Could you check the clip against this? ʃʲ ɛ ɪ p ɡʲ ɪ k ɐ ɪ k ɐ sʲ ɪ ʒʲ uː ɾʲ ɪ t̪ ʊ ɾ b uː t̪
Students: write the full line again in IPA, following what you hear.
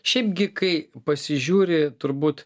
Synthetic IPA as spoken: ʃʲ ɛ ɪ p ɡʲ ɪ k ɐ ɪ p ɐ sʲ ɪ ʒʲ uː ɾʲ ɪ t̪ ʊ ɾ b uː t̪